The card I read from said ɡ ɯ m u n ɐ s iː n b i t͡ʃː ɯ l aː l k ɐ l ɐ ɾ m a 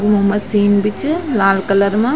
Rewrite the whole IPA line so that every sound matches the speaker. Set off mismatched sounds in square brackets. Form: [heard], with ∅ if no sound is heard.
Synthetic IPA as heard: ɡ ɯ m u [m] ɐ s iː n b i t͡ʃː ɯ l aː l k ɐ l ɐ ɾ m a